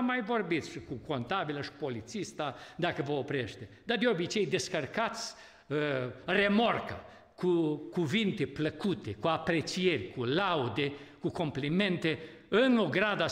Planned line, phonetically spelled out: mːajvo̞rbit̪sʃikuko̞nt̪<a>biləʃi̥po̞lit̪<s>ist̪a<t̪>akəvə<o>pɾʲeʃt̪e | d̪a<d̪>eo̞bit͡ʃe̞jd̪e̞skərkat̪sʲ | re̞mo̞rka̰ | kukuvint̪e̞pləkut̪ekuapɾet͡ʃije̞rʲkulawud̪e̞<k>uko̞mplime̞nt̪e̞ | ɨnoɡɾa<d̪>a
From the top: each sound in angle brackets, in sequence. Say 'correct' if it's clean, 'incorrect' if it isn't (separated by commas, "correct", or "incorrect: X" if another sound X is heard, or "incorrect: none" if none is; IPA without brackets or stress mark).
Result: correct, correct, incorrect: d̪, correct, correct, correct, correct